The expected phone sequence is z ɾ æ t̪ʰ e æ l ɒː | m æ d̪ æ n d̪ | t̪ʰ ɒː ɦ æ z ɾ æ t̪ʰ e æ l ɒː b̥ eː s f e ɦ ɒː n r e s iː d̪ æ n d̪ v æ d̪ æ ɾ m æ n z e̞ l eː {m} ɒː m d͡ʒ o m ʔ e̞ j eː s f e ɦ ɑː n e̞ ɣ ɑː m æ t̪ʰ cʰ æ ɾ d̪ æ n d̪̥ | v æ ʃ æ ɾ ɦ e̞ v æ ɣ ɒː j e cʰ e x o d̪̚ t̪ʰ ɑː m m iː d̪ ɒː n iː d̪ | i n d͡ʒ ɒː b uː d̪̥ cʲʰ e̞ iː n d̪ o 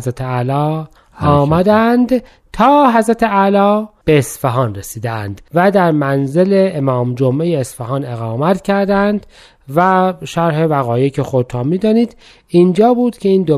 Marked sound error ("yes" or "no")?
no